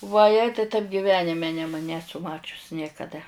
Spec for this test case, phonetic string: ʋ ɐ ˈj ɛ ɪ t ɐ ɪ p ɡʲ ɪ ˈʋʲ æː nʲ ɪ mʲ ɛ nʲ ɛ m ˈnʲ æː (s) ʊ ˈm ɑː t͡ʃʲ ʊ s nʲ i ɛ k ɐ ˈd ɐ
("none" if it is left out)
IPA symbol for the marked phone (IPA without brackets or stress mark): s